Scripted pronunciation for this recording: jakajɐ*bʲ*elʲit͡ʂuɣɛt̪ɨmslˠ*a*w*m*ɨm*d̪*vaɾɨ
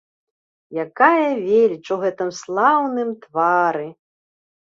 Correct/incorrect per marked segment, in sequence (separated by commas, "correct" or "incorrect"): incorrect, correct, incorrect, incorrect